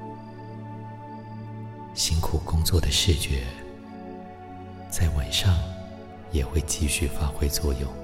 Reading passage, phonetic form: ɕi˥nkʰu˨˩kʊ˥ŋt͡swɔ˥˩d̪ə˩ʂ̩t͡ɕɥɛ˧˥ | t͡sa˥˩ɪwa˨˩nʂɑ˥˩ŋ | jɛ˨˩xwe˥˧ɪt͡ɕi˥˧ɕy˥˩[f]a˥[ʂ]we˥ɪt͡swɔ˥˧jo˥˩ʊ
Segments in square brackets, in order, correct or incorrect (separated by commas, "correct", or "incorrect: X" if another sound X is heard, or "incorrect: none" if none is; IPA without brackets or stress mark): correct, incorrect: x